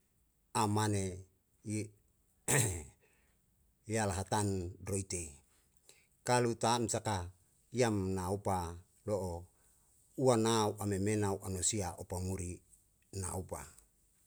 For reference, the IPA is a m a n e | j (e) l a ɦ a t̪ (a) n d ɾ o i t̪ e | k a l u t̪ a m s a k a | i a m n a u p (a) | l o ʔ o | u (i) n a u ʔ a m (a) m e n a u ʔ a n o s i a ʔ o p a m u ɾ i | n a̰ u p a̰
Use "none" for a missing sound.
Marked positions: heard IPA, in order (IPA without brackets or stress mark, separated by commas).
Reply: a, a, a, a, e